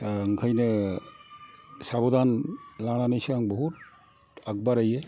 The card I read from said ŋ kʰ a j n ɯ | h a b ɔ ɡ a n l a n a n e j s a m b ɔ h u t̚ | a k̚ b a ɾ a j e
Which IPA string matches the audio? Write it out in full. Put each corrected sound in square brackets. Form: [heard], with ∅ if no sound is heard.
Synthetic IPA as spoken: ŋ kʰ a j n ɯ | [s] a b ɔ [d] a n l a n a n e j s a [ŋ] b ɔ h u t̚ | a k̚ b a ɾ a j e